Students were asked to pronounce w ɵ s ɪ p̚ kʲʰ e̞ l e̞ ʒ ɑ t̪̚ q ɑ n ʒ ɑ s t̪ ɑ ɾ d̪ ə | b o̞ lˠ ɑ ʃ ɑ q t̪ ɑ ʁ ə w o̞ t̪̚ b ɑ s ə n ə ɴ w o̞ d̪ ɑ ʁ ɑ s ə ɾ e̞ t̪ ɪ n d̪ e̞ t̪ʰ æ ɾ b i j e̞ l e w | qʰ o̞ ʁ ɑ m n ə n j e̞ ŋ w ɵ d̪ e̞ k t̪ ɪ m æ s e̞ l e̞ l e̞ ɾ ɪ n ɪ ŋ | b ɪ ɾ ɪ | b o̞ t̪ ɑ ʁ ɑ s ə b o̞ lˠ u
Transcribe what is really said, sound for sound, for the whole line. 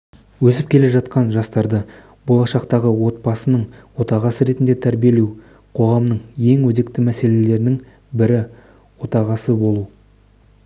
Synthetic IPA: w ɵ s ɪ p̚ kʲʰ e̞ l e̞ ʒ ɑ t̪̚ q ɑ n ʒ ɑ s t̪ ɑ ɾ d̪ ə | b o̞ lˠ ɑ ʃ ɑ q t̪ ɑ ʁ ə w o̞ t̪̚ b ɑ s ə n ə ɴ w o̞ t̪ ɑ ʁ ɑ s ə ɾ e̞ t̪ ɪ n d̪ e̞ t̪ʰ æ ɾ b i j e̞ l e w | qʰ o̞ ʁ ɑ m n ə ɴ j e̞ ŋ w ɵ d̪ e̞ k t̪ ɪ m æ s e̞ l e̞ l e̞ ɾ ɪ n ɪ ŋ | b ɪ ɾ ɪ | w o̞ t̪ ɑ ʁ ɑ s ə b o̞ lˠ u

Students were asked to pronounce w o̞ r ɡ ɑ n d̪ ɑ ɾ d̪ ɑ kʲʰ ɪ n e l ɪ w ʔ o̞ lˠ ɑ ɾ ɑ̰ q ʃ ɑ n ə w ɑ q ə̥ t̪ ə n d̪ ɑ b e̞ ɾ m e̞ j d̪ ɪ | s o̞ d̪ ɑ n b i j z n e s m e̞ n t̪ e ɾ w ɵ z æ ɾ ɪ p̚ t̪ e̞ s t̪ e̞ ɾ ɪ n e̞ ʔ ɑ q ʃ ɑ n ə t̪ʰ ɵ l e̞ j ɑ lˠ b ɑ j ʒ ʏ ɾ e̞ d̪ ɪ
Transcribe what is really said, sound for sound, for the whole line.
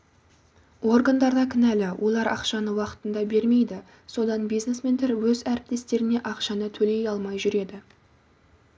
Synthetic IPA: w o̞ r ɡ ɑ n d̪ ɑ ɾ d̪ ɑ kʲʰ ɪ n æ l ɪ w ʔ o̞ lˠ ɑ ɾ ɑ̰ q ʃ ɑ n ə w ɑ q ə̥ t̪ ə n d̪ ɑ b e̞ ɾ m e̞ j d̪ ɪ | s o̞ d̪ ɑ n b i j z n e s m e̞ n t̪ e ɾ w ɵ z æ ɾ ɪ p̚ t̪ e̞ s t̪ e̞ ɾ ɪ n e̞ ʔ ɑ q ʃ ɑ n ə t̪ʰ ɵ l e̞ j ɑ lˠ m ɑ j ʒ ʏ ɾ e̞ d̪ ɪ

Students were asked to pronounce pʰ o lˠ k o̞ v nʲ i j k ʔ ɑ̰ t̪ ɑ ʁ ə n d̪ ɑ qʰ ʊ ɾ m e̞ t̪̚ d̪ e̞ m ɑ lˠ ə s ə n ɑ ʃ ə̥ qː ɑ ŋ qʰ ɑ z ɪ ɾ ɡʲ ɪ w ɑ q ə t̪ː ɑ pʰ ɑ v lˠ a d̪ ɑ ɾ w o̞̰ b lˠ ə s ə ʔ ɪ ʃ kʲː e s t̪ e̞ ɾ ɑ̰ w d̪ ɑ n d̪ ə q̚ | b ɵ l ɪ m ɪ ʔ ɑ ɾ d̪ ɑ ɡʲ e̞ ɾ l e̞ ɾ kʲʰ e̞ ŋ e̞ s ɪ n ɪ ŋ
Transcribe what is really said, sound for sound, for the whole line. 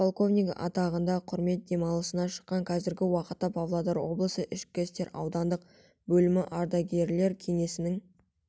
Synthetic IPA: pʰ o lˠ k o̞ v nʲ i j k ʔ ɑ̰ t̪ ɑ ʁ ə n d̪ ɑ qʰ ʊ ɾ m e̞ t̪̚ d̪ e̞ m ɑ lˠ ə s ə n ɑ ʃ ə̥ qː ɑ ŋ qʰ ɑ z ɪ ɾ ɡʲ ɪ w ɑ q ə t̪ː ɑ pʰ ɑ v lˠ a d̪ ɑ ɾ w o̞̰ b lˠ ə s ə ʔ ɪ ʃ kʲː e s t̪ e̞ ɾ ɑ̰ w d̪ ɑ n d̪ ə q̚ | b ɵ l ɪ m ɪ ʔ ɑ ɾ d̪ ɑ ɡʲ e̞ ɾ l e̞ ɾ kʲʰ e̞ ŋ e̞ s ɪ n ɪ ŋ

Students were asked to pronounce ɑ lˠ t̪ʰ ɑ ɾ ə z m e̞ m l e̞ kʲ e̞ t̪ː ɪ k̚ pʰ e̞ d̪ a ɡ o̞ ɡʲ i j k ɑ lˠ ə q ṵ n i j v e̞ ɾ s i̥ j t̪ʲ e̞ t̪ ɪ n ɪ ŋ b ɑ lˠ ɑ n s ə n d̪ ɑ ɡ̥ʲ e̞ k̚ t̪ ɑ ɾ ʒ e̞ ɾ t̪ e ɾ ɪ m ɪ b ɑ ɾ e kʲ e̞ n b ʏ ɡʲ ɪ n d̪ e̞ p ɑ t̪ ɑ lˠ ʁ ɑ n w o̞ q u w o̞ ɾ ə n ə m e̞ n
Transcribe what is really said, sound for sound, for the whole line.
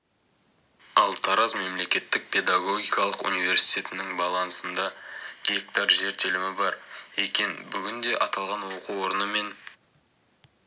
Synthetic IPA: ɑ lˠ t̪ʰ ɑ ɾ ɑ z m e̞ m l e̞ kʲ e̞ t̪ː ɪ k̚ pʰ e̞ d̪ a ɡ o̞ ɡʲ i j k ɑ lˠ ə q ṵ n i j v e̞ ɾ s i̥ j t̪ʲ e̞ t̪ ɪ n ɪ ŋ b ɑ lˠ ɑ n s ə n d̪ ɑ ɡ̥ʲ e̞ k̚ t̪ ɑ ɾ ʒ e̞ ɾ t̪ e l ɪ m ɪ b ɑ ɾ e kʲ e̞ n b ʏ ɡʲ ɪ n d̪ e̞ ʔ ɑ t̪ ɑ lˠ ʁ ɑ n w o̞ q u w o̞ ɾ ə n ə m e̞ n

